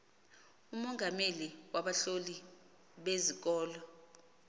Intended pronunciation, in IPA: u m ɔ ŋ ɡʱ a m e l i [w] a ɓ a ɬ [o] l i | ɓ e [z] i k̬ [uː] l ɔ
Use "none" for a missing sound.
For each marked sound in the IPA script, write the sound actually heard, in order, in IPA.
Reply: w, o, z, ɔː

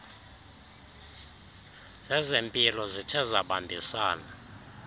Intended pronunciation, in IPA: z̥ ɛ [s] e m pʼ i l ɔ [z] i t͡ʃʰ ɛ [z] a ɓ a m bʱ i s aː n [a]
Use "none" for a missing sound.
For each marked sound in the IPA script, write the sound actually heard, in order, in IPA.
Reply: z, z, z, a

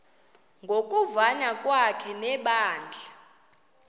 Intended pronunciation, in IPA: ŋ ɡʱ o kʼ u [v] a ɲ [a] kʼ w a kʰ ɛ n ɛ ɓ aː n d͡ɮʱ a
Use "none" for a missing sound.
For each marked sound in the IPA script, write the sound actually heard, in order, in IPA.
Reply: v, a

